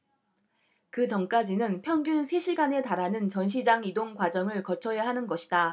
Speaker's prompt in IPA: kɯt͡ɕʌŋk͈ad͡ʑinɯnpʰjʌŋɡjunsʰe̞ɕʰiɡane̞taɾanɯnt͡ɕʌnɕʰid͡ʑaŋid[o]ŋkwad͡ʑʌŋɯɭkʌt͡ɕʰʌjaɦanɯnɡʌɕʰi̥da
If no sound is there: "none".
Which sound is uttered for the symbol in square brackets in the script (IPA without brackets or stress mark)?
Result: o